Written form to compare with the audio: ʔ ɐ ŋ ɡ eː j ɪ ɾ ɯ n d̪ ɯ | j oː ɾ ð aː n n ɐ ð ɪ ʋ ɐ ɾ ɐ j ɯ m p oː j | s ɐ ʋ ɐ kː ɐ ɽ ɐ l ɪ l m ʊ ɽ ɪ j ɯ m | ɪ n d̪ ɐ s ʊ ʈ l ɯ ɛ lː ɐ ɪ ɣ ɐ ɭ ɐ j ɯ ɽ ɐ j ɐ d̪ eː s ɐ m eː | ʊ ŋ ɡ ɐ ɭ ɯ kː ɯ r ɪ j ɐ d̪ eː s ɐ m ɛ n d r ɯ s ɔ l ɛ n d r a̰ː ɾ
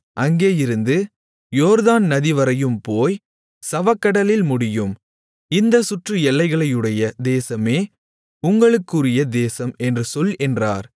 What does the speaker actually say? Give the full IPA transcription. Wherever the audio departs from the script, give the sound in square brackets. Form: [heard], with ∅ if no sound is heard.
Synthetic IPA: ʔ ɐ ŋ ɡ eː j ɪ ɾ ɯ n d̪ ɯ | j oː ɾ ð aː n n ɐ ð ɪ ʋ ɐ ɾ ɐ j ɯ m p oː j | s ɐ ʋ ɐ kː ɐ ɽ ɐ l ɪ l m ʊ ɽ ɪ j ɯ m | ɪ n d̪ ɐ s ʊ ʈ [r] ɯ ɛ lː ɐ ɪ ɣ ɐ ɭ ɐ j ɯ ɽ ɐ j ɐ d̪ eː s ɐ m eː | ʊ ŋ ɡ ɐ ɭ ɯ kː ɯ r ɪ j ɐ d̪ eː s ɐ m ɛ n d r ɯ s ɔ l ɛ n d r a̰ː ɾ